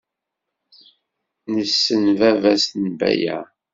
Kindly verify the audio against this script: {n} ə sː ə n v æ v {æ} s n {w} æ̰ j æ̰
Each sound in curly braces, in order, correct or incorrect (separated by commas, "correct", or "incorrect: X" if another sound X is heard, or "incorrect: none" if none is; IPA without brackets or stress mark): correct, correct, incorrect: b